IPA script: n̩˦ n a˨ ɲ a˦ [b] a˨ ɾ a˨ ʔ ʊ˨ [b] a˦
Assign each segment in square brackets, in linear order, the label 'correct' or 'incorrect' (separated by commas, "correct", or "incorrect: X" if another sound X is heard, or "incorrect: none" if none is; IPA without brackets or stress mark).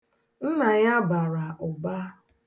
correct, correct